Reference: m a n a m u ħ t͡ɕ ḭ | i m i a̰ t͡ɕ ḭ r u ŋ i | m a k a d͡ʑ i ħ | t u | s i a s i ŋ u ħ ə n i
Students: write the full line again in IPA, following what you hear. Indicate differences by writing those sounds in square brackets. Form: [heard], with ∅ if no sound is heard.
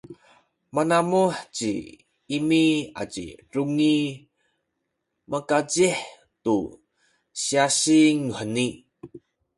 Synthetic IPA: m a n a m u ħ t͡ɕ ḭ | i m i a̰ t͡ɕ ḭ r u ŋ i | m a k a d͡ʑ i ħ | t u | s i a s i ŋ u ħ ə n i